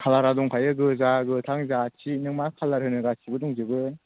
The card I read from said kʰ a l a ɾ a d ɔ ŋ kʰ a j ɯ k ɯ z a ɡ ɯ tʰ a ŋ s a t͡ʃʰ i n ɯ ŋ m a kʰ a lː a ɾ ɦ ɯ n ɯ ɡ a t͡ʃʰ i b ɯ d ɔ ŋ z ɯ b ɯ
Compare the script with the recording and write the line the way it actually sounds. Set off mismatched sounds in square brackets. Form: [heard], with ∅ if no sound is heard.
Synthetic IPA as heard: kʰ a l a ɾ a d ɔ ŋ kʰ a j ɯ [ɡ] ɯ z a ɡ ɯ tʰ a ŋ [z] a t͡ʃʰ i n ɯ ŋ m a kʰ a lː a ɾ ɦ ɯ n ɯ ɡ a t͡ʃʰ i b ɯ d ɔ ŋ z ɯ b ɯ